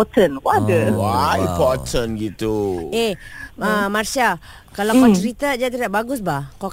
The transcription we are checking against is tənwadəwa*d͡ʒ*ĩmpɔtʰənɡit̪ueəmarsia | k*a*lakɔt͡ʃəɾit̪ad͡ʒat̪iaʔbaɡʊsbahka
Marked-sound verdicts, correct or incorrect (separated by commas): incorrect, correct